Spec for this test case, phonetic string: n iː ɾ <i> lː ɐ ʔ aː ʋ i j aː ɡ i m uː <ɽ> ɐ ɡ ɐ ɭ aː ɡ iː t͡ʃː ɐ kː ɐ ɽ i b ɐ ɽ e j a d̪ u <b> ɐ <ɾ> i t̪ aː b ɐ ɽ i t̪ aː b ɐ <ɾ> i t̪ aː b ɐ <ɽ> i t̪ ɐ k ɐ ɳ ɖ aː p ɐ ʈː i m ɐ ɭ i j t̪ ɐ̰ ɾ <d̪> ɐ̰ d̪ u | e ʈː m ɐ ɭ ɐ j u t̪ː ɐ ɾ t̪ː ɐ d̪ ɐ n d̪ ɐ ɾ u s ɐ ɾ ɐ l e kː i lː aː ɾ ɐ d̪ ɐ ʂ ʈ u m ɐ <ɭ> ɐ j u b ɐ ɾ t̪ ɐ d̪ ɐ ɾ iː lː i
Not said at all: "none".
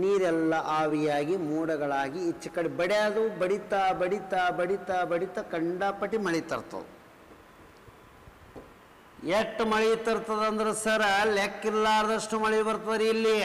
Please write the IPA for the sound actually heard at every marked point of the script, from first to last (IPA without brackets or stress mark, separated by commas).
ɛ, ɽ, b, ɽ, ɽ, ɽ, t̪, ɭ